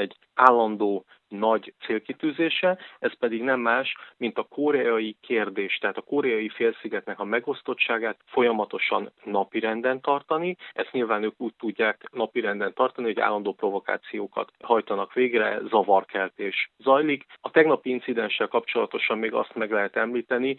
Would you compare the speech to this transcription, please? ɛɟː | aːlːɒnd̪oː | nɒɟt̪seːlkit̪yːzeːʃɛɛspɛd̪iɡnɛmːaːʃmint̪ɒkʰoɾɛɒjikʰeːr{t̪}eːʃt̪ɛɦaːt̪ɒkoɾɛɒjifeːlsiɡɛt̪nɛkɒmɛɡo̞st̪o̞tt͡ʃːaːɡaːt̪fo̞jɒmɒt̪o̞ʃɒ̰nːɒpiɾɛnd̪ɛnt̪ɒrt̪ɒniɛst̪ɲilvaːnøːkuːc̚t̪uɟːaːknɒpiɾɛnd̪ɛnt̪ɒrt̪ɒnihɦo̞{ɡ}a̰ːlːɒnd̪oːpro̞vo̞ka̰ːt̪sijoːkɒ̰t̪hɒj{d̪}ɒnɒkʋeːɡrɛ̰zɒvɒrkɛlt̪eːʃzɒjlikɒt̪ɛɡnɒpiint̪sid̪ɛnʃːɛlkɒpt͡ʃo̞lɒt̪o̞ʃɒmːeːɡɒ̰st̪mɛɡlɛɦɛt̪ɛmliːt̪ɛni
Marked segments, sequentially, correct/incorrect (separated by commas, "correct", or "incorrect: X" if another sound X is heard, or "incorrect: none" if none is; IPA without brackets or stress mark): incorrect: d̪, incorrect: ɟ, incorrect: t̪